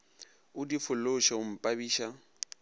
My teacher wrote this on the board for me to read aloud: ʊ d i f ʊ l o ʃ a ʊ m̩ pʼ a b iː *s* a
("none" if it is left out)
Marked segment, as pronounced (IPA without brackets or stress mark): ʃ